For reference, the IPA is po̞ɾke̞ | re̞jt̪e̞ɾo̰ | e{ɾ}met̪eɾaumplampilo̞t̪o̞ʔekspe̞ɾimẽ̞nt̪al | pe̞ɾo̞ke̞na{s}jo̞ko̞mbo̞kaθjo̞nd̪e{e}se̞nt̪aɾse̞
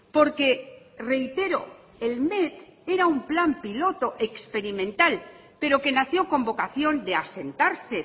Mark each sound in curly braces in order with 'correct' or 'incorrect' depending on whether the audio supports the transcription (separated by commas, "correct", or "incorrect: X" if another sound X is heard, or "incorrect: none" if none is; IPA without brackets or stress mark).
incorrect: l, incorrect: θ, incorrect: a